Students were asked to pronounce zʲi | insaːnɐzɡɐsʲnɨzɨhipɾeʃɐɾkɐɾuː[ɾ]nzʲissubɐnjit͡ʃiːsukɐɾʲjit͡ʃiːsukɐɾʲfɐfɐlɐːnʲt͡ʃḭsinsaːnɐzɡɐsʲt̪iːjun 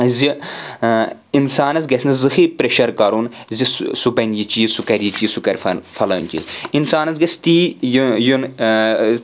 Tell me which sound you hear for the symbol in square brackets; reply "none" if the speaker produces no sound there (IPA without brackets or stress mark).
none